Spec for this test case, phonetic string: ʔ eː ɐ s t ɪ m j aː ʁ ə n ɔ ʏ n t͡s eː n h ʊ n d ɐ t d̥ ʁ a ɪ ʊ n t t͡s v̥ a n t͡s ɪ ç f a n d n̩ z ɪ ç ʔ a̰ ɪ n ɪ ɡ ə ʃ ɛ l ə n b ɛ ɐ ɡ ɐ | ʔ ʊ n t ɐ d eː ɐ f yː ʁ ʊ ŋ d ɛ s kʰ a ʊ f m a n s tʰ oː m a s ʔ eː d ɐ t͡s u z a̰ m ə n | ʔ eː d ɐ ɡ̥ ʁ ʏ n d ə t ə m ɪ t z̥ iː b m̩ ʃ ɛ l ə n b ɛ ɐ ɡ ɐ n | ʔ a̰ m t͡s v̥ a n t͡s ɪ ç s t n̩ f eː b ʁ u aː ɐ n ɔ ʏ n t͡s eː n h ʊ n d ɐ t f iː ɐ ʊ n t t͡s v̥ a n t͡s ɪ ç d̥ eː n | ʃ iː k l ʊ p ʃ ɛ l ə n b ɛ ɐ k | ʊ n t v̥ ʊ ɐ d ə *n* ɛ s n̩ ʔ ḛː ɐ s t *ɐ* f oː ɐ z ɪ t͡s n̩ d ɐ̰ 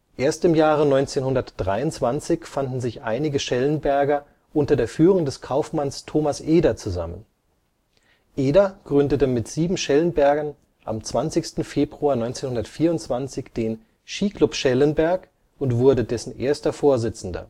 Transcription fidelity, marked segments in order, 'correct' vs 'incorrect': incorrect, correct

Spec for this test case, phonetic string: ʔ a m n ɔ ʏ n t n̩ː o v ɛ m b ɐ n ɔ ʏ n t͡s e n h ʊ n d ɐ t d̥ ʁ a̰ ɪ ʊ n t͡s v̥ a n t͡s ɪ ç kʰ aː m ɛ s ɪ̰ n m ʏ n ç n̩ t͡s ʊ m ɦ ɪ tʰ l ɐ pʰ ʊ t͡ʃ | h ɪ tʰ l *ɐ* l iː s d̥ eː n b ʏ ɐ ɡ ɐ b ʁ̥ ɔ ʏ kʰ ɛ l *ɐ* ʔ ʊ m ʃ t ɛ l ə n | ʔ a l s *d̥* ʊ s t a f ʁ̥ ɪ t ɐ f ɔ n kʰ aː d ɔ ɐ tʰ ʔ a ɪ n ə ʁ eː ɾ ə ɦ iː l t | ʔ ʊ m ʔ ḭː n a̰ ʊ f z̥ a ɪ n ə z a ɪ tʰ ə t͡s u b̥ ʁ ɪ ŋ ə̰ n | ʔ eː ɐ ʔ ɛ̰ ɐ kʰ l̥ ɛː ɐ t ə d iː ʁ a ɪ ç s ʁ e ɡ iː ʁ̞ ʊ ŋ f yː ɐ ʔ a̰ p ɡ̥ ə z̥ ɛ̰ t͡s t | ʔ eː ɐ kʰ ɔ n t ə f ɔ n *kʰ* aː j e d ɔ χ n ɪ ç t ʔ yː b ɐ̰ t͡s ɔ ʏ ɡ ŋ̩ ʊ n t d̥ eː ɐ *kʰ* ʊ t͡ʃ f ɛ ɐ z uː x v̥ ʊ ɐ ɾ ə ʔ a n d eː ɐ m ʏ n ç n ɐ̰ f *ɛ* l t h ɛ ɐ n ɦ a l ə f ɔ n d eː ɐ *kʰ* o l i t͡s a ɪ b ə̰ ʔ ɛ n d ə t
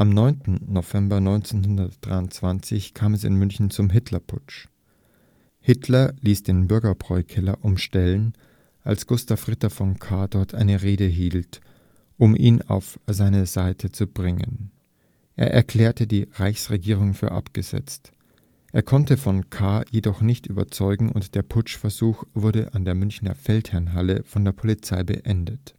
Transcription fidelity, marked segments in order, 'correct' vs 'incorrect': correct, correct, incorrect, correct, incorrect, correct, incorrect

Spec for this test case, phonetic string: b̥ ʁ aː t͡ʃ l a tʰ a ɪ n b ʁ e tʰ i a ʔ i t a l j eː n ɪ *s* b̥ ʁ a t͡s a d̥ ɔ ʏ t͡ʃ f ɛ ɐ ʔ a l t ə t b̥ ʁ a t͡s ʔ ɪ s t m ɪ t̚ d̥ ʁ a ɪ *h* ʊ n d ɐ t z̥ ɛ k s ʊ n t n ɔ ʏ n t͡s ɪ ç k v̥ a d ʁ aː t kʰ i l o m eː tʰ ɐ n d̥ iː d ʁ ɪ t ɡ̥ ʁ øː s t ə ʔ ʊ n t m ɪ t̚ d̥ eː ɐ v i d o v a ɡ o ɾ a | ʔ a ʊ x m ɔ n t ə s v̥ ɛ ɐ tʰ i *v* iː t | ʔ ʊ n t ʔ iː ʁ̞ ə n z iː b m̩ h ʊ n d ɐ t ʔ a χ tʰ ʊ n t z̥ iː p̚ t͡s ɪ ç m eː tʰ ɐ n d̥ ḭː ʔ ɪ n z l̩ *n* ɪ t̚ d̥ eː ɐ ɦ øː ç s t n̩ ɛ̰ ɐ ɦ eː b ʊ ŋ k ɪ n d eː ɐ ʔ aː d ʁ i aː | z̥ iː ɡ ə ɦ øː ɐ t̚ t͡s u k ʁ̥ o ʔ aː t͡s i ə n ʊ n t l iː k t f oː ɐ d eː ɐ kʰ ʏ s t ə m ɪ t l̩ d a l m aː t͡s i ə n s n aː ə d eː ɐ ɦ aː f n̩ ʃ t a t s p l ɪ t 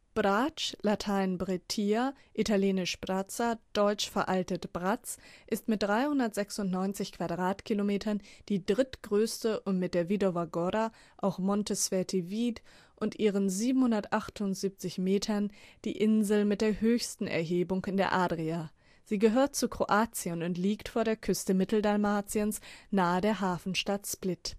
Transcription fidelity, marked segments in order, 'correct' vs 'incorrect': incorrect, correct, correct, incorrect

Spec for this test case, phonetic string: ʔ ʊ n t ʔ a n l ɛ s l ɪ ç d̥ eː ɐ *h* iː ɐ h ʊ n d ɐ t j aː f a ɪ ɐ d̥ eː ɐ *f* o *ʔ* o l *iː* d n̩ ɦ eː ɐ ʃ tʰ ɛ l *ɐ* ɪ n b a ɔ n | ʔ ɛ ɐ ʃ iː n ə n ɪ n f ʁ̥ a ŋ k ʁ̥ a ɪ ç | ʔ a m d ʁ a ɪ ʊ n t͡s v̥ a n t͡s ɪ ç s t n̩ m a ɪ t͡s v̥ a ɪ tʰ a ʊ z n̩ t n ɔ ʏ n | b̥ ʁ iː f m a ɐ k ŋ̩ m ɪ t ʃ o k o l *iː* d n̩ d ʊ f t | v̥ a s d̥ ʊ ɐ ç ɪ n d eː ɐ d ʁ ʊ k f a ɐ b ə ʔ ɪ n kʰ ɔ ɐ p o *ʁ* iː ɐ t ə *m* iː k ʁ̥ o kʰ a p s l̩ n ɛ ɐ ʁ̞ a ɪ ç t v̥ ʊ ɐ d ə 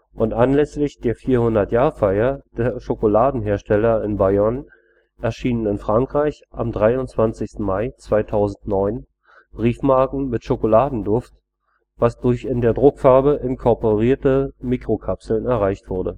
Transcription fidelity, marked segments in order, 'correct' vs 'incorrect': incorrect, incorrect, incorrect, incorrect, correct, incorrect, correct, correct

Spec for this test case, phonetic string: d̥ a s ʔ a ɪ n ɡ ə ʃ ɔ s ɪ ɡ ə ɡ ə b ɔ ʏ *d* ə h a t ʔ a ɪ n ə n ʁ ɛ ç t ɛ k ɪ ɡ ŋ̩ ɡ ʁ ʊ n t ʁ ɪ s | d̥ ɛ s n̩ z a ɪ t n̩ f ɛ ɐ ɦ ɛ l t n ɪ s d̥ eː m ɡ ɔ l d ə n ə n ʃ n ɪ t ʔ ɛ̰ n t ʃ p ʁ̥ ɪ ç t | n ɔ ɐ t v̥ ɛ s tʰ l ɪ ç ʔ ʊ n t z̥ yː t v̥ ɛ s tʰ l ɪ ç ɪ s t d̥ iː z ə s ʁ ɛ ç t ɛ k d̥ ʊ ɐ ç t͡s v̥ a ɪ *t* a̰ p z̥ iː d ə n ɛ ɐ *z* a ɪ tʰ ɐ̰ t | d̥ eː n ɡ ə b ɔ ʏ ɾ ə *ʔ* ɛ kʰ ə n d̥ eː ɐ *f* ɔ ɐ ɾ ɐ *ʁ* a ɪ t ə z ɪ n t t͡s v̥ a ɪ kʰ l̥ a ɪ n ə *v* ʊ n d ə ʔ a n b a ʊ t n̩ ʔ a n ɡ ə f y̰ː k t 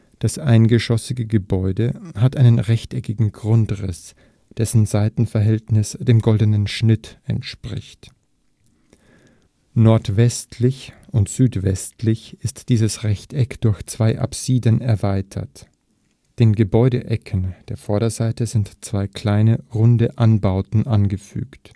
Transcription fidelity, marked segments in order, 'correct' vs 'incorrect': correct, incorrect, incorrect, correct, correct, incorrect, incorrect

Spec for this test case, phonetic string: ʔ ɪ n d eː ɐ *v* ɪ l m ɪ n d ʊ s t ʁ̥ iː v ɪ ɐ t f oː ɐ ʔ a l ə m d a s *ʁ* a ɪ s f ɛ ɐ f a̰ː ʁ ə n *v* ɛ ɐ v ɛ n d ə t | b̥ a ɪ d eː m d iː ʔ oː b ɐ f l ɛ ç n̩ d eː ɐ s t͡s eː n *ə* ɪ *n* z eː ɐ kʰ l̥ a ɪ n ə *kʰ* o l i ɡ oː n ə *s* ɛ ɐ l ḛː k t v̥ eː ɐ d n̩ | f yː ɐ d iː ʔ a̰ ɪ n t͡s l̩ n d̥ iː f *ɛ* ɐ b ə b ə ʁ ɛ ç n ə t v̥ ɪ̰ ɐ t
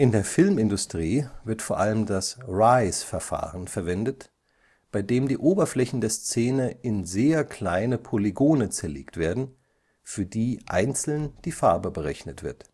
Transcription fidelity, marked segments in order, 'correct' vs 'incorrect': incorrect, correct, incorrect, correct, correct, incorrect, incorrect, incorrect

